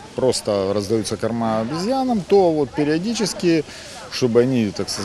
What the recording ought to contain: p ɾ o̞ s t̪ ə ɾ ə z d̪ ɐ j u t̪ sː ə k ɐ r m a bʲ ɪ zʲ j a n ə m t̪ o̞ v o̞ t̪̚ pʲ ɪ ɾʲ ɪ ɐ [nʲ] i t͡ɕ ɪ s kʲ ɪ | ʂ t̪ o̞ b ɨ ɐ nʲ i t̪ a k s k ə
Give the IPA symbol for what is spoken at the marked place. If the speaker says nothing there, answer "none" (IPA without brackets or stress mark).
dʲ